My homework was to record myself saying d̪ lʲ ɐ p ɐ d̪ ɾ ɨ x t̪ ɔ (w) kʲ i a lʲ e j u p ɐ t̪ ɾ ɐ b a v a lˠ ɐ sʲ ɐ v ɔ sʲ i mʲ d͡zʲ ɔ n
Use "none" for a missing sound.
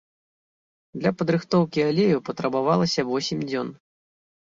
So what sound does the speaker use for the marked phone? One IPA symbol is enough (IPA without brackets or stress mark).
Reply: w